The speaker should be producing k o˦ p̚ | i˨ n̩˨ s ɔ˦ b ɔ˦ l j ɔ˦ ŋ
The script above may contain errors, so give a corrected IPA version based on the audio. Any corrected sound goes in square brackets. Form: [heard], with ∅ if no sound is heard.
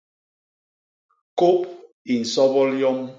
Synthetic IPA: k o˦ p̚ | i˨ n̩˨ s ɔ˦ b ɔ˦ l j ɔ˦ [m]